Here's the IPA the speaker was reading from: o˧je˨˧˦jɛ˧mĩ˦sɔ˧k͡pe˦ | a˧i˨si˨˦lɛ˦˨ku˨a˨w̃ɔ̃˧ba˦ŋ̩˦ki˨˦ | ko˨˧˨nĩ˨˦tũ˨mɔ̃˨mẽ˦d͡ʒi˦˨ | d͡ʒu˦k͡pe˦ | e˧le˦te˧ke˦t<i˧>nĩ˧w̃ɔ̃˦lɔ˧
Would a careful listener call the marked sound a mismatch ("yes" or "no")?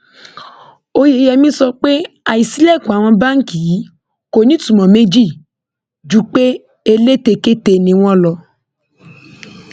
yes